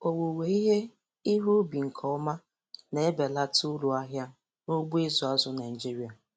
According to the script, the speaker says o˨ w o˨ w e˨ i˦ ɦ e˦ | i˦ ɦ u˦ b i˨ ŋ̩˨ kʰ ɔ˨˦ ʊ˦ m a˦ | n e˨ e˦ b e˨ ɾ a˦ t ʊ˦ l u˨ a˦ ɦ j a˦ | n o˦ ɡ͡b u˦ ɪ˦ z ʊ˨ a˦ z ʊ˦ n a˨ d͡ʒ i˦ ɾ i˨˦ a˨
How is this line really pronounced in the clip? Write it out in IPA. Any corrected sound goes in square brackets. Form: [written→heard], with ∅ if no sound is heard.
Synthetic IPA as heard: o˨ w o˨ w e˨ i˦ ɦ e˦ | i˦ ɦ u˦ b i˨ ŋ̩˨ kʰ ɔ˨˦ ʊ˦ m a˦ | n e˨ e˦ b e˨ [ɾ→l] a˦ t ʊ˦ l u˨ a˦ ɦ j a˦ | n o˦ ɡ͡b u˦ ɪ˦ z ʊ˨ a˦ z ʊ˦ n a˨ d͡ʒ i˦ ɾ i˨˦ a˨